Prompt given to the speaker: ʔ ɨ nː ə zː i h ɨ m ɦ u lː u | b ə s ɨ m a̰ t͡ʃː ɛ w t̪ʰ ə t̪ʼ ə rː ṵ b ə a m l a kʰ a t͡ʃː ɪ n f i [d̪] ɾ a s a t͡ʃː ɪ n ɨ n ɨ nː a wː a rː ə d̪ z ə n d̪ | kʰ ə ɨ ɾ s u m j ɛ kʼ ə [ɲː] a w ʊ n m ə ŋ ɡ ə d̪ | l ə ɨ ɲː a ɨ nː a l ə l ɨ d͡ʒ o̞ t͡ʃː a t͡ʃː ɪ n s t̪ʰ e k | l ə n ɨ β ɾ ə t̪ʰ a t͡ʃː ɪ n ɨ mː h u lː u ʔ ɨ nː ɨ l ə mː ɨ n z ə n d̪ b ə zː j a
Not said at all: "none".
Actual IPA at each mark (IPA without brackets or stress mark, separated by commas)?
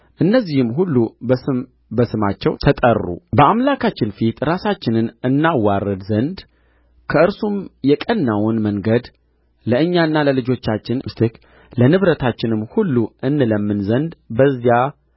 t̪, nː